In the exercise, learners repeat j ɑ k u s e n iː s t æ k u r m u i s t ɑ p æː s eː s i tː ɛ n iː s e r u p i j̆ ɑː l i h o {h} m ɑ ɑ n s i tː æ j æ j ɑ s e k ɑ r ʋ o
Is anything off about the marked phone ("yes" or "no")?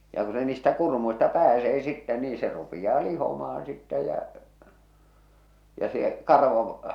yes